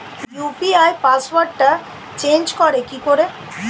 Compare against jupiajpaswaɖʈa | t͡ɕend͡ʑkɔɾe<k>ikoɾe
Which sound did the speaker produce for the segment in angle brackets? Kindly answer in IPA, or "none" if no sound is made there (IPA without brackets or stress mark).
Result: k